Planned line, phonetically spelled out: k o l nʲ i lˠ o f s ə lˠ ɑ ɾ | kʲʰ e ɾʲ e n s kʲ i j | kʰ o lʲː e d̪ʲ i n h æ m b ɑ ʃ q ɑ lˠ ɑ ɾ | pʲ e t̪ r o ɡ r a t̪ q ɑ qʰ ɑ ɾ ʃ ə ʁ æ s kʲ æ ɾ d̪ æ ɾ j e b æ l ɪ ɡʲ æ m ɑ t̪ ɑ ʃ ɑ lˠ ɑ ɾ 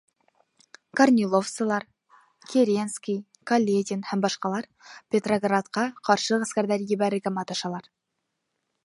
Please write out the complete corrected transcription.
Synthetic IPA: k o r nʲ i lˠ o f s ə lˠ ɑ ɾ | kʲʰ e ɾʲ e n s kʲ i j | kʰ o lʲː e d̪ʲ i n h æ m b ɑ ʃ q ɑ lˠ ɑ ɾ | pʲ e t̪ r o ɡ r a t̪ q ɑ qʰ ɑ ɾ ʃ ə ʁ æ s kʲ æ ɾ d̪ æ ɾ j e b æ ɾ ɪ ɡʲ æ m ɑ t̪ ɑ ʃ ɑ lˠ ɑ ɾ